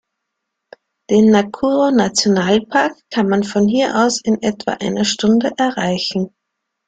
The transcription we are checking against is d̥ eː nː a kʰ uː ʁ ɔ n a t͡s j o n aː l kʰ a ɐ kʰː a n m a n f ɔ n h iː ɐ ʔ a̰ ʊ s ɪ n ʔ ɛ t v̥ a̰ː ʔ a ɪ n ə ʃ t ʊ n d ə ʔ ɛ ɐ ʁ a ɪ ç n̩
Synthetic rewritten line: d̥ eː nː a kʰ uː ʁ o n a t͡s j o n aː l pʰ a ɐ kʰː a n m a n f ɔ n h iː ɐ ʔ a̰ ʊ s ɪ n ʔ ɛ t v̥ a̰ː ʔ a ɪ n ɐ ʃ t ʊ n d ə ʔ ɛ ɐ ʁ a ɪ ç n̩

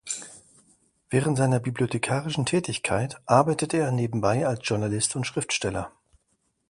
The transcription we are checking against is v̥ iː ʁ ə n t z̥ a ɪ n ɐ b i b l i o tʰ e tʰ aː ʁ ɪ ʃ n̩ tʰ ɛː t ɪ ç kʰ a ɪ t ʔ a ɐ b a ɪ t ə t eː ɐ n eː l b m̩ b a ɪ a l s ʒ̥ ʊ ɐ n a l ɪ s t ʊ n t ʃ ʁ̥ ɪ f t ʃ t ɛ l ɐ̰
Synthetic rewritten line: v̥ ɛː ʁ ə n t z̥ a ɪ n ɐ b i b l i o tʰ e kʰ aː ʁ ɪ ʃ n̩ tʰ ɛː t ɪ ç kʰ a ɪ t ʔ a ɐ b a ɪ t ə t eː ɐ n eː b m̩ b a ɪ a l s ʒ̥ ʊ ɐ n a l ɪ s t ʊ n t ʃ ʁ̥ ɪ f t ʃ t ɛ l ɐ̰

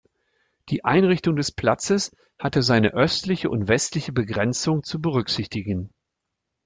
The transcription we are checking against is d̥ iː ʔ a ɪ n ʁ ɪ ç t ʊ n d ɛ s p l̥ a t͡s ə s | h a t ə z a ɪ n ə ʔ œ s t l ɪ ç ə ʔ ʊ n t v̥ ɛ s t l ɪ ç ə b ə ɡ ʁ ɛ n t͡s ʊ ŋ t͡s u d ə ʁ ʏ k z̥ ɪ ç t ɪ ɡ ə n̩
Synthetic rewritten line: d̥ iː ʔ a ɪ n ʁ ɪ ç t ʊ ŋ d ɛ s p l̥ a t͡s ə s | h a t ə z a ɪ n ə ʔ œ s t l ɪ ç ə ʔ ʊ n t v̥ ɛ s t l ɪ ç ə b ə ɡ ʁ ɛ n t͡s ʊ ŋ t͡s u b ə ʁ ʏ k z̥ ɪ ç t ɪ ɡ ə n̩

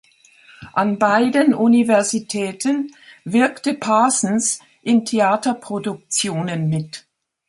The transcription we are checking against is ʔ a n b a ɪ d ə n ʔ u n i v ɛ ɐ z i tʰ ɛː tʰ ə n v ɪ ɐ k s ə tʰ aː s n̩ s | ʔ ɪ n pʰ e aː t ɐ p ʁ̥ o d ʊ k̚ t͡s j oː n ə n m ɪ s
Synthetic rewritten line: ʔ a n b a ɪ d ə n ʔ u n i v ɛ ɐ z i tʰ ɛː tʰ ə n v ɪ ɐ k t ə pʰ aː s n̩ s | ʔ ɪ n tʰ e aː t ɐ p ʁ̥ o d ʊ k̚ t͡s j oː n ə n m ɪ t

